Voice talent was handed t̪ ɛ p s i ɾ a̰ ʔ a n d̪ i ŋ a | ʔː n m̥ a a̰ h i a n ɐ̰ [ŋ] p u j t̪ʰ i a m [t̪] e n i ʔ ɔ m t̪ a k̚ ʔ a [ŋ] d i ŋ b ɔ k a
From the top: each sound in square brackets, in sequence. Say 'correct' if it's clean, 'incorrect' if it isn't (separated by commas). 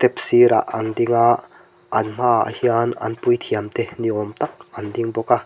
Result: incorrect, correct, incorrect